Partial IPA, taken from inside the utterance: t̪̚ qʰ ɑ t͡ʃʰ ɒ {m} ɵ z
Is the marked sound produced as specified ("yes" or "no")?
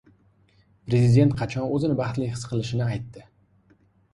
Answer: no